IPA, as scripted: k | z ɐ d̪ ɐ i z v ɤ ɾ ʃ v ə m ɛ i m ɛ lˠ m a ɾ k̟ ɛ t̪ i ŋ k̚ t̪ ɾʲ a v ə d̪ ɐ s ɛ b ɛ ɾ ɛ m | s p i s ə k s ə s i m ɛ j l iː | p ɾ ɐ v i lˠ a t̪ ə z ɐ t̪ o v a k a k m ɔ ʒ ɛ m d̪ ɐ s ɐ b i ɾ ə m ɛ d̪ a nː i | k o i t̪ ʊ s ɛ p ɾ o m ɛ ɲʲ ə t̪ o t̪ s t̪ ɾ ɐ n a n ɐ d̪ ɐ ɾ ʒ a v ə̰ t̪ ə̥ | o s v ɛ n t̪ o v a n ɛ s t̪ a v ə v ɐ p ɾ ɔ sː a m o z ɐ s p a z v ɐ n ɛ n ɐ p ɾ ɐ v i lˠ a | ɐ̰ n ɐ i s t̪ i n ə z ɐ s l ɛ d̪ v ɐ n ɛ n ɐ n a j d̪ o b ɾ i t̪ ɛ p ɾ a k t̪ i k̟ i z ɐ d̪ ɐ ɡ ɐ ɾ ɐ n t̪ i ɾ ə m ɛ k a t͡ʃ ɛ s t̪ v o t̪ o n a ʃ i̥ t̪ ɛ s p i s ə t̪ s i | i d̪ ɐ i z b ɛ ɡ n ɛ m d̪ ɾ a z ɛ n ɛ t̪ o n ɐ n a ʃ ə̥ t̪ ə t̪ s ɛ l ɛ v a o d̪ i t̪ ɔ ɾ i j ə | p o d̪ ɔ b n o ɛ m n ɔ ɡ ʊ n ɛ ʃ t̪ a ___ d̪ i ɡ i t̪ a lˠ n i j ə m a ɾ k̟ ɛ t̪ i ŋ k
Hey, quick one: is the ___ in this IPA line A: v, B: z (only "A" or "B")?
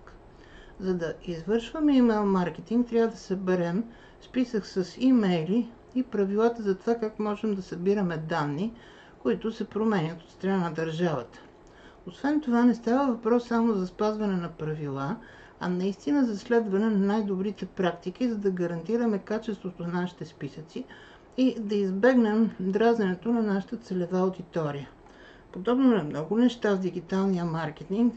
A